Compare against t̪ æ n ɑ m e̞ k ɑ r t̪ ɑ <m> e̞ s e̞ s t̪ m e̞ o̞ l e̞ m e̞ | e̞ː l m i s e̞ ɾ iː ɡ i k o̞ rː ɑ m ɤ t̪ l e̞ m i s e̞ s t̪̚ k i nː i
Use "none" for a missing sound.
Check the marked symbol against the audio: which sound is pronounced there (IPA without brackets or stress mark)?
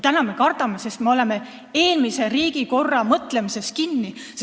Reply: m